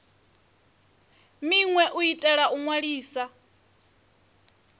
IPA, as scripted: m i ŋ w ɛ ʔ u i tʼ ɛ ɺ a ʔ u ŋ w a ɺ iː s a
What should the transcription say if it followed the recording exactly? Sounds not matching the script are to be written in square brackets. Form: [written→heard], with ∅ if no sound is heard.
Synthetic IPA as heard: m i ŋ w ɛ ʔ u i tʼ ɛ ɺ a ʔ u ŋ w a ɺ iː s a